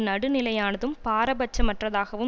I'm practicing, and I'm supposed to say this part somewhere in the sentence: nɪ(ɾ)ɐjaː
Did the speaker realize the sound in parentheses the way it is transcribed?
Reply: no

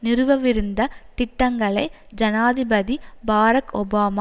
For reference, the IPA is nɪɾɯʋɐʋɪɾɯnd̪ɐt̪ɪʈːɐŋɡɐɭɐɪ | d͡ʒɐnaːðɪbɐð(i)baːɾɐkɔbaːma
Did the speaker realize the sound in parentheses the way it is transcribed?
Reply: yes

